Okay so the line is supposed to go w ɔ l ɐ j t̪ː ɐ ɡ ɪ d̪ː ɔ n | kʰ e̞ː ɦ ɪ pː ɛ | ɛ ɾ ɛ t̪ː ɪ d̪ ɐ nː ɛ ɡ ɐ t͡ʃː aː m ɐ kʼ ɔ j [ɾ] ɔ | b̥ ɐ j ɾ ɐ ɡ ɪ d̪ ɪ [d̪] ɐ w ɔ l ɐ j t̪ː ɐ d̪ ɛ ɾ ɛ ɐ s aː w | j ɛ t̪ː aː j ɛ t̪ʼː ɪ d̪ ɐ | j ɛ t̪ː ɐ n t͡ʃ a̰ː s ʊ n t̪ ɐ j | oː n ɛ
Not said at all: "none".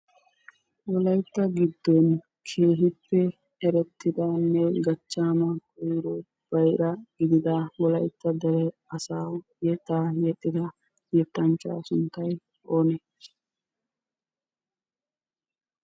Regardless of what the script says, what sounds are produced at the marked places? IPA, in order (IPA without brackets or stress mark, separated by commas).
ɾ, d̪